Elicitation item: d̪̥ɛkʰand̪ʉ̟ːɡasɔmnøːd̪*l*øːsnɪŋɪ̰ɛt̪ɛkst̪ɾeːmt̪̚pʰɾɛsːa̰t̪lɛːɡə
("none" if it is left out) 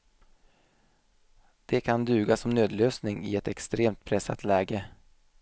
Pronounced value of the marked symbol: l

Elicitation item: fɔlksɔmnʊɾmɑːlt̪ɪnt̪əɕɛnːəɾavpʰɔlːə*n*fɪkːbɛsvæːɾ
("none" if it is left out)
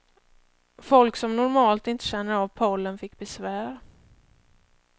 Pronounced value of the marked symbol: n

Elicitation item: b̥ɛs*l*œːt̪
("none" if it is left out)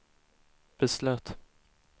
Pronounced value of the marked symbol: l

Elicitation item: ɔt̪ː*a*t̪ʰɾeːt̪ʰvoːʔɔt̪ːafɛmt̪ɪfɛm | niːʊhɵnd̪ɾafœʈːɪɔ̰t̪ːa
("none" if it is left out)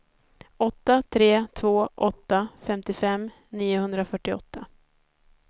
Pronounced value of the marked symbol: a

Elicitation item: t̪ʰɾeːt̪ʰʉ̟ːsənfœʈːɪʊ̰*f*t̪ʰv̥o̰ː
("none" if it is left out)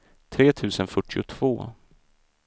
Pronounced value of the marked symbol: none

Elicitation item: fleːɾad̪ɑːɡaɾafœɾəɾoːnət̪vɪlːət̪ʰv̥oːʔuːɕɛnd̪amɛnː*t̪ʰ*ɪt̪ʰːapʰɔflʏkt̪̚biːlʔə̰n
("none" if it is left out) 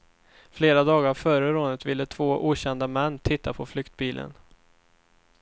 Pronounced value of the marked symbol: t̪ʰ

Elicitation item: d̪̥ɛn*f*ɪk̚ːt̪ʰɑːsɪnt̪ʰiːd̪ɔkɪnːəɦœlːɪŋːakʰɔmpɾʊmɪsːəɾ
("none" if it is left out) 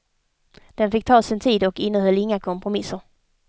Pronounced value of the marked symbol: f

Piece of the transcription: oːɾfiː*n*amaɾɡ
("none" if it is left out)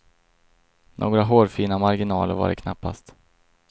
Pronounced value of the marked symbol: n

